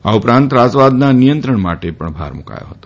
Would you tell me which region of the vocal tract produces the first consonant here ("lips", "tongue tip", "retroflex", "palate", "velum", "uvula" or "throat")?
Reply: lips